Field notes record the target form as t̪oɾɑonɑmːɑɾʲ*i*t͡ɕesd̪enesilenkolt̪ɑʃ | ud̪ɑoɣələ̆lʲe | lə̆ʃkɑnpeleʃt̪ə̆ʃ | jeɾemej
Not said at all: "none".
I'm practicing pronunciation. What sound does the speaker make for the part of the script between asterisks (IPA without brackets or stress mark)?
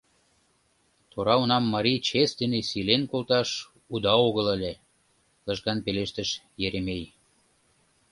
i